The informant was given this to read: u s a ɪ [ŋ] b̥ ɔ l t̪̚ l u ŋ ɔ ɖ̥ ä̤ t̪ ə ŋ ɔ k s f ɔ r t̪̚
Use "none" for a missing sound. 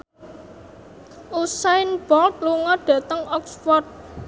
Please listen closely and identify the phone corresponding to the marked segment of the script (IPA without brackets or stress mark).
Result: n